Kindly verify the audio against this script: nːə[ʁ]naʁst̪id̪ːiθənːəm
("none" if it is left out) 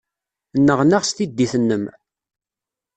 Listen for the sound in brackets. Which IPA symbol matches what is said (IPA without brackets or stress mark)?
ʁ